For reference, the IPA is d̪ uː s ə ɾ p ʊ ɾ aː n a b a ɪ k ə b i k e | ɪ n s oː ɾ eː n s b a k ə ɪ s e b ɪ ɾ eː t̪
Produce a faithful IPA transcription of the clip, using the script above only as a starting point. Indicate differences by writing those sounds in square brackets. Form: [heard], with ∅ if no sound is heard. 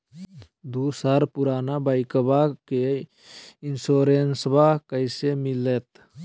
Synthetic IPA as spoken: d̪ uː s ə ɾ p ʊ ɾ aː n a b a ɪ k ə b [a] k e | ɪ n s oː ɾ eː n s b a k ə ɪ s e [m] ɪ [l] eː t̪